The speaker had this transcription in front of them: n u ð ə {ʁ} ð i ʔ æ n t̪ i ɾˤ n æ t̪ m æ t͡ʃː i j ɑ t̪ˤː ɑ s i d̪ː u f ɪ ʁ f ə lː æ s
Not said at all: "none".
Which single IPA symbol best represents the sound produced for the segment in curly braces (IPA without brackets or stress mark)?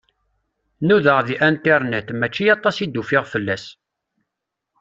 ʁ